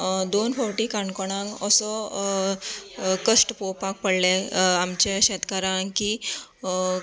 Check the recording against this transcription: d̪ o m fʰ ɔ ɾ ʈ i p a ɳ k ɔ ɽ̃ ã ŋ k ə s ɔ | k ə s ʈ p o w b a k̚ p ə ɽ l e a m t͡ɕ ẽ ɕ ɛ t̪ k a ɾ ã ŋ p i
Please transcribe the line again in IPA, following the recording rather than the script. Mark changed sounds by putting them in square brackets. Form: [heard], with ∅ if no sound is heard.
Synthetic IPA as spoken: d̪ o [n] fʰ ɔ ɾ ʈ i [k] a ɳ k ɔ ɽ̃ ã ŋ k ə s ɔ | k ə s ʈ p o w [p] a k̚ p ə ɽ l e a m t͡ɕ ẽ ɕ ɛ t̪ k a ɾ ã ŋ [k] i